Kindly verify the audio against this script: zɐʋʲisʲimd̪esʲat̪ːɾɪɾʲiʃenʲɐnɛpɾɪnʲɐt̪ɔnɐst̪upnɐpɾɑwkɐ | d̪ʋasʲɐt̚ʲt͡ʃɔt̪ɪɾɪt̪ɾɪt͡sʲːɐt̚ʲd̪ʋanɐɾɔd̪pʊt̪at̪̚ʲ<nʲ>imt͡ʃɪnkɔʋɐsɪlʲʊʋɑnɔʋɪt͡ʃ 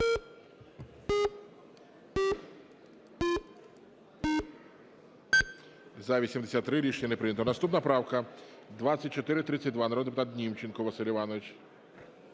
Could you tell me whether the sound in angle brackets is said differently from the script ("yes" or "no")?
no